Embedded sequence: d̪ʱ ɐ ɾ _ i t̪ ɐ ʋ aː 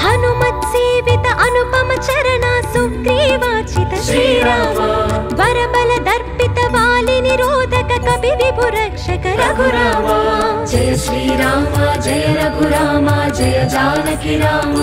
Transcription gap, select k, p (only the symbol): p